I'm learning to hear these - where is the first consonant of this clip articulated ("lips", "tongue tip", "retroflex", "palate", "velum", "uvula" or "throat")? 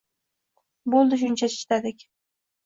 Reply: lips